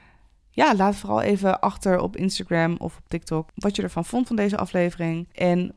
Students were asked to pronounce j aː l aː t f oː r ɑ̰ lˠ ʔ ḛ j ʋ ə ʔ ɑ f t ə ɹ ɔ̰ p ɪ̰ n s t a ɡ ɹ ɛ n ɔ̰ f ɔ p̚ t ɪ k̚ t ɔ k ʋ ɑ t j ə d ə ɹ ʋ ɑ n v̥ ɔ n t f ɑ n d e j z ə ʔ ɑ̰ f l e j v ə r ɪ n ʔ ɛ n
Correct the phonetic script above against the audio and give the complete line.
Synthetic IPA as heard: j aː l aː t f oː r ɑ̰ lˠ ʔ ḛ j v ə ʔ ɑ χ t ə ɹ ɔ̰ p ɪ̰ n s t a ɡ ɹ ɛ m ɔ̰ f ɔ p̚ t ɪ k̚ t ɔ k ʋ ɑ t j ə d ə ɹ v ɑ n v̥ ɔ n t f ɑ n d e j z ə ʔ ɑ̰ f l e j v ə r ɪ ŋ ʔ ɛ n